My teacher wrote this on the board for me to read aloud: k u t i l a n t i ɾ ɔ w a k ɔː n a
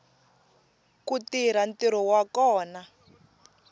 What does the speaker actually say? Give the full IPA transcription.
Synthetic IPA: k u t i ɾ a n t i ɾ ɔ w a k ɔː n a